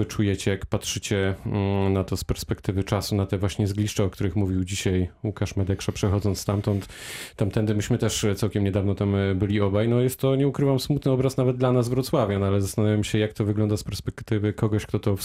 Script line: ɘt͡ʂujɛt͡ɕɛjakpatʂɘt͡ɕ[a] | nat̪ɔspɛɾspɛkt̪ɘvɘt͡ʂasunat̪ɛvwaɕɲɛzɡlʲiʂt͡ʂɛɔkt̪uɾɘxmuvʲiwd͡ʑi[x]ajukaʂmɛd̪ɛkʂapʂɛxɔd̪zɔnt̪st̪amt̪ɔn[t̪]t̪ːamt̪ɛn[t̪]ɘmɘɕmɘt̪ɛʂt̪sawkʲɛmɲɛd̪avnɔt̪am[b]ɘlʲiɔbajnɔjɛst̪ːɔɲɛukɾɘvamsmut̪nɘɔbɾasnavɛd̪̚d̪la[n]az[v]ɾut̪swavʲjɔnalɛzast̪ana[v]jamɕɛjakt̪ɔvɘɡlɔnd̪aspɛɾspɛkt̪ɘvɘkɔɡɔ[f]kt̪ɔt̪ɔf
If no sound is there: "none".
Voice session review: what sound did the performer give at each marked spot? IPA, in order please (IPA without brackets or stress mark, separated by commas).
ɛ, ɕ, t̪, d̪, b, n, v, v, ɕ